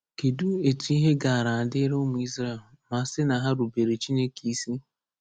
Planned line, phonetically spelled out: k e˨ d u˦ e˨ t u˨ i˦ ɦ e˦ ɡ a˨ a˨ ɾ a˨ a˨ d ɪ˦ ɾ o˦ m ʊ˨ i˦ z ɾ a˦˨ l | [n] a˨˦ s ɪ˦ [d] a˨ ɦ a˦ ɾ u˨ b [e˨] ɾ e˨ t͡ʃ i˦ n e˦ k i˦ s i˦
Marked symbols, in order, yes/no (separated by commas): no, no, yes